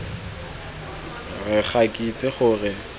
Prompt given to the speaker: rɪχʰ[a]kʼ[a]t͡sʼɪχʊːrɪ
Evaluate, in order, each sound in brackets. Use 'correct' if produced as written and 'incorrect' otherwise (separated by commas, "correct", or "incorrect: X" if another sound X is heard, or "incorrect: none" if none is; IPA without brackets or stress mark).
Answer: correct, incorrect: i